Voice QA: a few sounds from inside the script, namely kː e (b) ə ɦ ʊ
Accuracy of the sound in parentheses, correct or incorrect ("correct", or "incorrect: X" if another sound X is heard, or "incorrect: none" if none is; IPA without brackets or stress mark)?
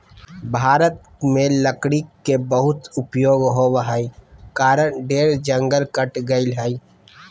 correct